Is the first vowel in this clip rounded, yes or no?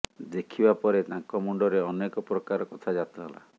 no